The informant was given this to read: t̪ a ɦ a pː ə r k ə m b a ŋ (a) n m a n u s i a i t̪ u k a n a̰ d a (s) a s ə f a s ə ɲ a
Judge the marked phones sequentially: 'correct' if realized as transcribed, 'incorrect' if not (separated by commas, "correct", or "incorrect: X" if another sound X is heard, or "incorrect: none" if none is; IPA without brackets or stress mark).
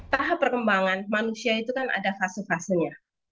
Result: correct, incorrect: f